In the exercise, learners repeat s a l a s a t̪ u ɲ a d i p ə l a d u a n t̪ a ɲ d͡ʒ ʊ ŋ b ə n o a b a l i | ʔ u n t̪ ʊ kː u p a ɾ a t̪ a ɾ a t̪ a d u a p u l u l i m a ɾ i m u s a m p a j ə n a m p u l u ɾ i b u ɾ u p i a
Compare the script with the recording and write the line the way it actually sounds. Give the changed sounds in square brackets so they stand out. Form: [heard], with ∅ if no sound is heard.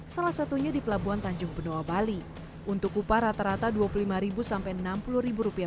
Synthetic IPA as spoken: s a l a s a t̪ u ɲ a d i p ə l a [b] u a n t̪ a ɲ d͡ʒ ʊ ŋ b ə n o a b a l i | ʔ u n t̪ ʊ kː u p a ɾ a t̪ a ɾ a t̪ a d u a p u l u l i m a ɾ i [b] u s a m p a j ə n a m p u l u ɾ i b u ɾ u p i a